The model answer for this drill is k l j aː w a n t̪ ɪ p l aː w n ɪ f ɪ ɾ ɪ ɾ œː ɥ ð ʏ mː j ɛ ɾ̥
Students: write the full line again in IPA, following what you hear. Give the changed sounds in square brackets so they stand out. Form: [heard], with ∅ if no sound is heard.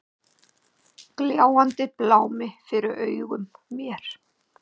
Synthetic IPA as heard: k l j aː w a n t̪ ɪ p l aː w [m] ɪ f ɪ ɾ ɪ ɾ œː ɥ [ɣ] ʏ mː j ɛ ɾ̥